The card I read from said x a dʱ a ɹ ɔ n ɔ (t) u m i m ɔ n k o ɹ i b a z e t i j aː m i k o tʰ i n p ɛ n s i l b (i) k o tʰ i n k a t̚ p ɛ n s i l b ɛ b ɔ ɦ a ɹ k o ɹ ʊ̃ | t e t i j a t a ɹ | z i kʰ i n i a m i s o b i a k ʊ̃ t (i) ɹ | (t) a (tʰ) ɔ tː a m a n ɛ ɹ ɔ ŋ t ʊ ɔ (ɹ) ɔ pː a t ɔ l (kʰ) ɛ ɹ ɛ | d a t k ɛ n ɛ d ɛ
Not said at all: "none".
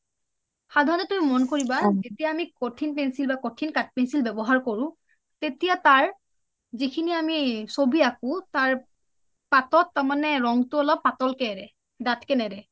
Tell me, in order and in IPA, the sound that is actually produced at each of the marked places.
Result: t, a, a, p, t, l, k

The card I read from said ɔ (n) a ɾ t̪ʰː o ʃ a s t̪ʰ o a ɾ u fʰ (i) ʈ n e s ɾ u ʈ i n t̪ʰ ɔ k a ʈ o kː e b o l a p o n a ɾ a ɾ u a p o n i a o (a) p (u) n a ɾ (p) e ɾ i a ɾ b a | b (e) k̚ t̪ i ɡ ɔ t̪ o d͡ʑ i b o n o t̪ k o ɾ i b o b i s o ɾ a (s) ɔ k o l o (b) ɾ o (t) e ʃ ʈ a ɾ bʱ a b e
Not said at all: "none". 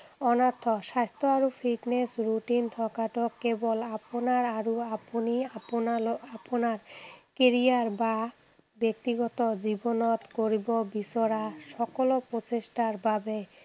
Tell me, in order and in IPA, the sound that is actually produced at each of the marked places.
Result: n, i, a, o, k, e, ʃ, p, t͡ɕ

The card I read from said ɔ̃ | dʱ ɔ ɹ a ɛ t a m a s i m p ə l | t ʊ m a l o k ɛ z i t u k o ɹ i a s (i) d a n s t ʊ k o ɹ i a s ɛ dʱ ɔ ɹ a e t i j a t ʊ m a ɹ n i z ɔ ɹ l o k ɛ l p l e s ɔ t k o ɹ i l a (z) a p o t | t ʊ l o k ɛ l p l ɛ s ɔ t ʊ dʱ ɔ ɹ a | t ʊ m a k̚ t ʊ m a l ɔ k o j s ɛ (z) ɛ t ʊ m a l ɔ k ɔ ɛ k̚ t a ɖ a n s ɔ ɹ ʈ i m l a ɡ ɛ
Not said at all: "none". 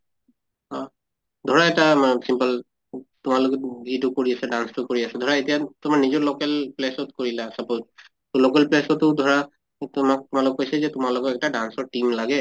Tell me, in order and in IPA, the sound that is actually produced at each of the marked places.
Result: ɛ, s, z

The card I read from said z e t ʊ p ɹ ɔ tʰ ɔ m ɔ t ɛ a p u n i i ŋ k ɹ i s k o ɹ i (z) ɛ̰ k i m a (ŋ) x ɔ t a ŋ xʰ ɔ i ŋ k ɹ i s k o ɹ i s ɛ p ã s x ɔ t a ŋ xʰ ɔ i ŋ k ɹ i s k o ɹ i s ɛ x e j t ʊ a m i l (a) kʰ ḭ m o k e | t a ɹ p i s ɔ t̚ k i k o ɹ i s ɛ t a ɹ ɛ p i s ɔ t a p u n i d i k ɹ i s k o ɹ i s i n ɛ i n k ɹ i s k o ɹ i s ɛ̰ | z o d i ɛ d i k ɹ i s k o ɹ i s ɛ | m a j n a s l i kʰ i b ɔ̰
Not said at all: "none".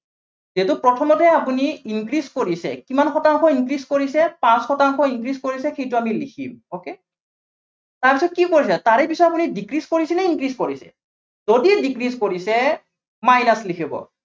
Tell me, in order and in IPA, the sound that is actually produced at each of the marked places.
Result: s, n, i

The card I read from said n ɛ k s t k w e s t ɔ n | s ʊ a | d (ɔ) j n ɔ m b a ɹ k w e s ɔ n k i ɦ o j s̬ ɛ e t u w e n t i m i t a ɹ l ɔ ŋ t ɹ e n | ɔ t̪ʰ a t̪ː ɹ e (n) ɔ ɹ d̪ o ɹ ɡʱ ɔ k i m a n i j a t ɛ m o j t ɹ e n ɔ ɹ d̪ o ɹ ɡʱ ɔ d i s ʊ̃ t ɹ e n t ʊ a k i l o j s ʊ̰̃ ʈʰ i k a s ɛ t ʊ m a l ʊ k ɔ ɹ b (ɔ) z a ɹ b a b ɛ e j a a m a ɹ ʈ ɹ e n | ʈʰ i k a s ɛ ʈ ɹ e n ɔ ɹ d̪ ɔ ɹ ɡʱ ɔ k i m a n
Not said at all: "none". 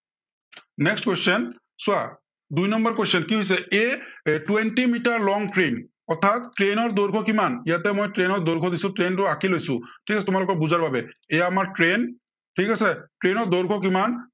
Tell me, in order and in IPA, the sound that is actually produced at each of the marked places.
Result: u, n, u

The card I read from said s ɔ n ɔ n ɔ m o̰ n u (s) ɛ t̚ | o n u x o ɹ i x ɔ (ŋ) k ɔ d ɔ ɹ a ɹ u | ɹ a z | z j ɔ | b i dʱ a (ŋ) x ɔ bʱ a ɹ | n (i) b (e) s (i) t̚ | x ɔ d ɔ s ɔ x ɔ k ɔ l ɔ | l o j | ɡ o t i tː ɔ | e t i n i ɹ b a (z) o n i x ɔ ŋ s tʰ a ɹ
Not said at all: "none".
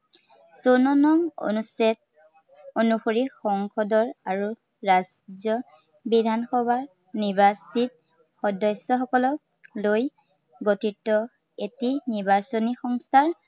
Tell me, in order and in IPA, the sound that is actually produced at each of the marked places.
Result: s, ŋ, n, i, a, i, s

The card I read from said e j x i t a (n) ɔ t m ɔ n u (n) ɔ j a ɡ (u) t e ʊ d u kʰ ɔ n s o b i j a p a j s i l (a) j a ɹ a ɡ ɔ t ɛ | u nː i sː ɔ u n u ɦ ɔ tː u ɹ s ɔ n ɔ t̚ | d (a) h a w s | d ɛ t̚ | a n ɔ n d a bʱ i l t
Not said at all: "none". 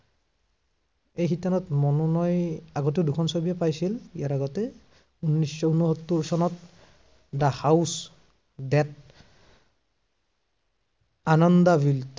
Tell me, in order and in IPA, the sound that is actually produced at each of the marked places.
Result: n, n, ɔ, i, a

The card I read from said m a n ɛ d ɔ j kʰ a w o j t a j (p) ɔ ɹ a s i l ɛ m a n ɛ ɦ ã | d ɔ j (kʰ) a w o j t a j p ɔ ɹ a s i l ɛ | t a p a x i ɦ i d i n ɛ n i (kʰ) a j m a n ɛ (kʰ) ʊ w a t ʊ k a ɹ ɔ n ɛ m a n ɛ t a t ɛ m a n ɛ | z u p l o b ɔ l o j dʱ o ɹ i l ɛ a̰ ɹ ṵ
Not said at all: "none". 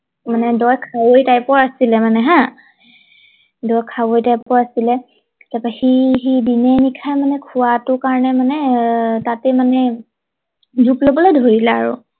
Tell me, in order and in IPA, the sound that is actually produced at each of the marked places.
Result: p, kʰ, kʰ, kʰ

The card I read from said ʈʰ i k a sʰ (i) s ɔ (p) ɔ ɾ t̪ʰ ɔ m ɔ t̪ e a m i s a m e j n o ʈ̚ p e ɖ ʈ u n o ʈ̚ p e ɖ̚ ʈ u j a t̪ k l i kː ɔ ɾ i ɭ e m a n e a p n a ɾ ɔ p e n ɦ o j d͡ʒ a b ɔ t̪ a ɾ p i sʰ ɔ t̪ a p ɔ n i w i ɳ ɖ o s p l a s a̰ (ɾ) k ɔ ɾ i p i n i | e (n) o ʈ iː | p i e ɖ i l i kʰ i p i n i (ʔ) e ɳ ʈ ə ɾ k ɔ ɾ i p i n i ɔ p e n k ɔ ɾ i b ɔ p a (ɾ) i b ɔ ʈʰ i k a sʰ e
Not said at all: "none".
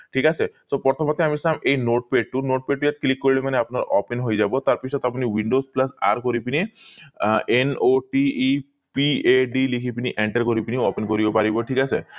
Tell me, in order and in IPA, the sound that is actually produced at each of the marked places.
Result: e, p, ɾ, n, ʔ, ɾ

